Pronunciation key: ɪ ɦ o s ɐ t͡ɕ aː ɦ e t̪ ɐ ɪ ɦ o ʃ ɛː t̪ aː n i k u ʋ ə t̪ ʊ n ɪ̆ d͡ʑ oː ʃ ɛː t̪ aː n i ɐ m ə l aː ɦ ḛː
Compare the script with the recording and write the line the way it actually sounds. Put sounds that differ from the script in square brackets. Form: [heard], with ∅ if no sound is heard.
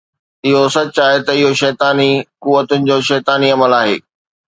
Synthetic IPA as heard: ɪ ɦ o s ɐ t͡ɕ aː ɦ e t̪ ɐ ɪ ɦ o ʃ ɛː t̪ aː n i k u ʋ ə t̪ ʊ n ɪ̆ d͡ʑ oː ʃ ɛː t̪ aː n i ɐ m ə l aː ɦ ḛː

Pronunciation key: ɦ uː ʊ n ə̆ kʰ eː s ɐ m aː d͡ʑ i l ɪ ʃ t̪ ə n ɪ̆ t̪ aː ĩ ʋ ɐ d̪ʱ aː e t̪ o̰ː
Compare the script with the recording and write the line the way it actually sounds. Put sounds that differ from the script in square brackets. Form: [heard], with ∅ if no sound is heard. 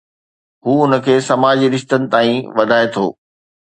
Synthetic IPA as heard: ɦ uː ʊ n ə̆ kʰ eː s ɐ m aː d͡ʑ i [ɾ] ɪ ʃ t̪ ə n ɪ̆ t̪ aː ĩ ʋ ɐ d̪ʱ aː e [t̪ʰ] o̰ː

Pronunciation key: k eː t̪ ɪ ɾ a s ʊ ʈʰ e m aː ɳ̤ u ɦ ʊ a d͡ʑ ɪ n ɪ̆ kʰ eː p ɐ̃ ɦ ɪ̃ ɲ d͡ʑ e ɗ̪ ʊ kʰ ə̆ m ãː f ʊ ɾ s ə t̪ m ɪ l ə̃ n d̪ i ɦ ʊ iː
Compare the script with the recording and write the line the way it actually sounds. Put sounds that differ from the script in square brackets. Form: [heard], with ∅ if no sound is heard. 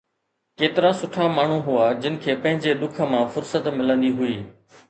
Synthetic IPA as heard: k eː t̪ ɪ ɾ a s ʊ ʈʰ [a] m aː ɳ̤ u ɦ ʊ a d͡ʑ ɪ n ɪ̆ kʰ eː p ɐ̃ ɦ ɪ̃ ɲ d͡ʑ e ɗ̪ ʊ kʰ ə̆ m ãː f ʊ ɾ s ə t̪ m ɪ l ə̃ n d̪ i ɦ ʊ iː

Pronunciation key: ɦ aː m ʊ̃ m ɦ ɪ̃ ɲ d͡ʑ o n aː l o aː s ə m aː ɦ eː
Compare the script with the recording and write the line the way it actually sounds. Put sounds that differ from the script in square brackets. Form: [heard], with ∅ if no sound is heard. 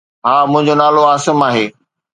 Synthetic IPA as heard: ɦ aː m ʊ̃ [∅] ɦ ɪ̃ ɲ d͡ʑ o n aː l o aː s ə m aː ɦ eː

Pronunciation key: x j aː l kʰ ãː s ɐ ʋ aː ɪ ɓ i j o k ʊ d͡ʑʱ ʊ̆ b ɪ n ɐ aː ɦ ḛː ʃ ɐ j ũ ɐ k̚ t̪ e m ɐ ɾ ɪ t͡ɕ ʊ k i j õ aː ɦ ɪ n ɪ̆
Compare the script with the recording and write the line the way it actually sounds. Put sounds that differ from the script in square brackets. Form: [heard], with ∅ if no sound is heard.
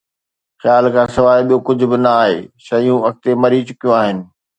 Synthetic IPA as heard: x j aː l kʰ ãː s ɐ ʋ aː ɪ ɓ i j o k ʊ d͡ʑʱ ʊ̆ b ɪ n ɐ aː ɦ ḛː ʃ ɐ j ũ ɐ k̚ t̪ e m ɐ ɾ [i] t͡ɕ ʊ k i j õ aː ɦ ɪ n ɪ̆

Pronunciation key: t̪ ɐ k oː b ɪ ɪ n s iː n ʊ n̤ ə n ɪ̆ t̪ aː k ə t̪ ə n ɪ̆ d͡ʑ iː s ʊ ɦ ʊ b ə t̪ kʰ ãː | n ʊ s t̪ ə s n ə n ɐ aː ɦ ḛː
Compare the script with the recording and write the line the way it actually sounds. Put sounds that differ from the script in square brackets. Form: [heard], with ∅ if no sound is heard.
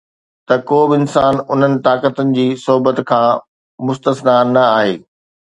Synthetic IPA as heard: t̪ ɐ k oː b ɪ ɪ n s [aː] n ʊ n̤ ə n ɪ̆ t̪ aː k ə t̪ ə n ɪ̆ d͡ʑ iː s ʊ ɦ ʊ b ə t̪ kʰ ãː | [m] ʊ s t̪ ə s n [a] n ɐ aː ɦ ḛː

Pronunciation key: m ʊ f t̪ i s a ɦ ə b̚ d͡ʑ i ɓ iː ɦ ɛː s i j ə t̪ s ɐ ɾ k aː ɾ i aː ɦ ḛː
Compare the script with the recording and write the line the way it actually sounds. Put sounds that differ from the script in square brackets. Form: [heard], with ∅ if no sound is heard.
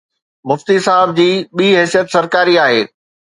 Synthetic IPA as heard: m ʊ f t̪ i s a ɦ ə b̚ d͡ʑ [iː] ɓ iː ɦ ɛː s i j ə t̪ s ɐ ɾ k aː ɾ i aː ɦ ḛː

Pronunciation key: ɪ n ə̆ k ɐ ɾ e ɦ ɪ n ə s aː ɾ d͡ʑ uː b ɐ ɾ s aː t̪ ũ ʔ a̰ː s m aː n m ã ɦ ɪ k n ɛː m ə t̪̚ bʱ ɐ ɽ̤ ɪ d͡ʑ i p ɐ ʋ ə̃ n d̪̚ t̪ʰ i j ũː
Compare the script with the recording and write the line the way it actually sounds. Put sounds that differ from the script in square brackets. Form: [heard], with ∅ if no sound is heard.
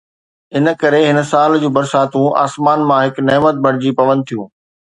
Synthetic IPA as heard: ɪ n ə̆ k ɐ ɾ e ɦ ɪ n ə s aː [l] d͡ʑ uː b ɐ ɾ s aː t̪ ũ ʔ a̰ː s m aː n m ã ɦ ɪ k n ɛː m ə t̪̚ bʱ ɐ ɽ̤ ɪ d͡ʑ i p ɐ ʋ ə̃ n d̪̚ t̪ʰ i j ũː

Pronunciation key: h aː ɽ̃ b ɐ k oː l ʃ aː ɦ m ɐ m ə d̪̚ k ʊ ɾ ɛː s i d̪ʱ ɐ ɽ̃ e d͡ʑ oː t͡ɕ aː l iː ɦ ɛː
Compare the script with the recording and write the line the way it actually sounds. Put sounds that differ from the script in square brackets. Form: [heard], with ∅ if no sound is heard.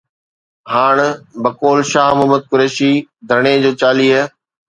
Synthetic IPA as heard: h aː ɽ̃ b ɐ k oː l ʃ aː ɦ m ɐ m ə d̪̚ k ʊ ɾ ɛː [ʃ] i d̪ʱ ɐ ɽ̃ e d͡ʑ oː t͡ɕ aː l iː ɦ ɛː

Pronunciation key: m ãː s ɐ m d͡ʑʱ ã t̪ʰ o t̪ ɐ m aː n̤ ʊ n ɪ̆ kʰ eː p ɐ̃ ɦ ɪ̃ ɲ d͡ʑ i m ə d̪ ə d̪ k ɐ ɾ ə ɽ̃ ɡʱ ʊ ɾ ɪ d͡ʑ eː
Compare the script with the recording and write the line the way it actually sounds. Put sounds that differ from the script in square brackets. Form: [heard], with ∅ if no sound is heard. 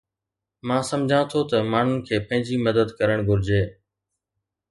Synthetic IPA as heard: m ãː s ɐ m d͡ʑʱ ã t̪ʰ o t̪ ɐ m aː n̤ ʊ n ɪ̆ kʰ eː p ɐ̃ ɦ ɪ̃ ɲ d͡ʑ i m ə d̪ ə d̪ k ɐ ɾ ə ɽ̃ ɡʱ ʊ ɾ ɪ d͡ʑ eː

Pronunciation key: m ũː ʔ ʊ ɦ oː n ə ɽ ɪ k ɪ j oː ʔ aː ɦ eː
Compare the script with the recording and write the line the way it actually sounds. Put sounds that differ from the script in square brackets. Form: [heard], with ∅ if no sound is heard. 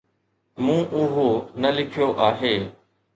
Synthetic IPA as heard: m ũː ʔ ʊ ɦ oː n ə [l] ɪ [kʰ] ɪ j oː ʔ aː ɦ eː

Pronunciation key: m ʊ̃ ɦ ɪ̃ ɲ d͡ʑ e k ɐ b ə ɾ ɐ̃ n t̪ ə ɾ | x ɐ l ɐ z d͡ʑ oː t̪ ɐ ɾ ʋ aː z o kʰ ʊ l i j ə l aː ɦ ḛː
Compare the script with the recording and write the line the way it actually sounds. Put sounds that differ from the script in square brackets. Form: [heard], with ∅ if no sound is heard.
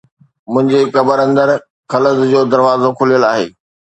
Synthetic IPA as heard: m ʊ̃ ɦ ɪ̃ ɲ d͡ʑ e k ɐ b ə ɾ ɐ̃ n [d̪] ə ɾ | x ɐ l [ə] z d͡ʑ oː [d̪] ɐ ɾ ʋ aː z o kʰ ʊ l i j ə l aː ɦ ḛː

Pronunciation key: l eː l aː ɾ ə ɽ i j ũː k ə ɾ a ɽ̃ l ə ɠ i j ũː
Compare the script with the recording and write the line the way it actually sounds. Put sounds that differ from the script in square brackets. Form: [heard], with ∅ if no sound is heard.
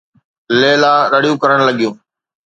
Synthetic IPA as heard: l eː l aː ɾ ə ɽ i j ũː k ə ɾ [ə] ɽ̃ l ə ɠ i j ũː

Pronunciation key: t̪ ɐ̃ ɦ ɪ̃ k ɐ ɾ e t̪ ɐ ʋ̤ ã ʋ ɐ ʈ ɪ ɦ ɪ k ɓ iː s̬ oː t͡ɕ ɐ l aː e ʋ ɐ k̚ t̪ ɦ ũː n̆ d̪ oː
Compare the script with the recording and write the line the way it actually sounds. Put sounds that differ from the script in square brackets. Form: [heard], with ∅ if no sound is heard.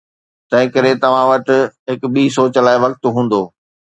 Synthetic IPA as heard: t̪ ɐ̃ ɦ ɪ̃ k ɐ ɾ e t̪ ɐ ʋ̤ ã ʋ ɐ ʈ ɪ ɦ ɪ k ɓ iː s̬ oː t͡ɕ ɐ l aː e ʋ ɐ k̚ t̪ ɦ ũː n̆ d̪ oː

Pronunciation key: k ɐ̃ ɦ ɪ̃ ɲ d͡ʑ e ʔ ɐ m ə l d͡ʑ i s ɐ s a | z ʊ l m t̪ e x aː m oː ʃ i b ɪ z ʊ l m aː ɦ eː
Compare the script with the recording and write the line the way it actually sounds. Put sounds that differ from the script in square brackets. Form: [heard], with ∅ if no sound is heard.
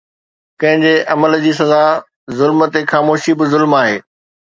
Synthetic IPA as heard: k ɐ̃ ɦ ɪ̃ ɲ d͡ʑ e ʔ ɐ m ə l d͡ʑ [iː] s ɐ [z] a | z ʊ l m t̪ e x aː m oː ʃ i b ɪ z ʊ l m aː ɦ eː

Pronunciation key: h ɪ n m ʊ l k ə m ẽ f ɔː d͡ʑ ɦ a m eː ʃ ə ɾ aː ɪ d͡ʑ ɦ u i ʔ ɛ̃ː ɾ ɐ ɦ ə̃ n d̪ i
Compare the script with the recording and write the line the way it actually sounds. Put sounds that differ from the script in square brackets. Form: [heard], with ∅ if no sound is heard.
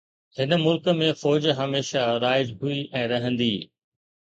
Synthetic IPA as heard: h ɪ n m ʊ l k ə m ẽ f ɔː d͡ʑ ɦ [ɐ] m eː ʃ [a] ɾ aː ɪ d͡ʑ ɦ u i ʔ ɛ̃ː ɾ ɐ ɦ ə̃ n d̪ [iː]

